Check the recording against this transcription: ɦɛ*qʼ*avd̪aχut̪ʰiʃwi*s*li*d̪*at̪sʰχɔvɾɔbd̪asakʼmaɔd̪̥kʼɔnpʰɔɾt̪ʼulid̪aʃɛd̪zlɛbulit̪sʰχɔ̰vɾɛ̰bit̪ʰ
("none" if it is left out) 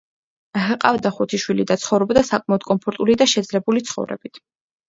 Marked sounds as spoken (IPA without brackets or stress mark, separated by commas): qʼ, none, d̪